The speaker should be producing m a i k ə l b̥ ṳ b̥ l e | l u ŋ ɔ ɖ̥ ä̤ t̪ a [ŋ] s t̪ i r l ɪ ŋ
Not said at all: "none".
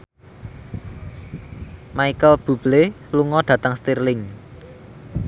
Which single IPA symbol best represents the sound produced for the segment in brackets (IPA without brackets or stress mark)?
ŋ